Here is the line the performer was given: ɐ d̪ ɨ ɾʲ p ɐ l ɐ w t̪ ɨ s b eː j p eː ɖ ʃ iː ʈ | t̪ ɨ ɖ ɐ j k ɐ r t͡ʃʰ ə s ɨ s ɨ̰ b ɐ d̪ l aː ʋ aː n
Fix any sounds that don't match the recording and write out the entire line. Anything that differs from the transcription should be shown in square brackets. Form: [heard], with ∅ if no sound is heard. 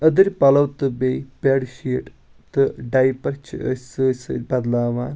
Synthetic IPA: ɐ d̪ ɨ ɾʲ p ɐ l ɐ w t̪ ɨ [∅] b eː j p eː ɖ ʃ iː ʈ | t̪ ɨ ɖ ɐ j [p] ɐ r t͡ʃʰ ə s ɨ s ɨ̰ b ɐ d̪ l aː ʋ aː n